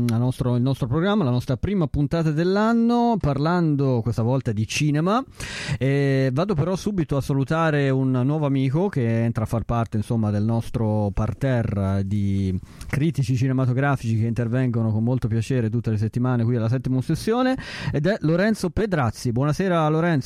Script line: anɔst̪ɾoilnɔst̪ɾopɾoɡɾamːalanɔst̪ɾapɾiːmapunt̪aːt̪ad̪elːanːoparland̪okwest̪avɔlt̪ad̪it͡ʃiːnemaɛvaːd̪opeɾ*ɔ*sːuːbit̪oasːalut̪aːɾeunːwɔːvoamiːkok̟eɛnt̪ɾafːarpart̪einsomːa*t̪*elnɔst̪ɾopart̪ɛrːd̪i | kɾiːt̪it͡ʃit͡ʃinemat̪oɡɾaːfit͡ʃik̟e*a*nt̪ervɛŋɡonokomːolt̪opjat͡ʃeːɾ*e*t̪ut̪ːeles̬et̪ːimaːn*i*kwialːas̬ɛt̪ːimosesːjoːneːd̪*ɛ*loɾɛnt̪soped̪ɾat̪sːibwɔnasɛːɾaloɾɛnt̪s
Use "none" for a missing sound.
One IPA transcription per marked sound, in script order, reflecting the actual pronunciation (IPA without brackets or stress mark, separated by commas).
ɔ, d̪, i, e, e, ɛ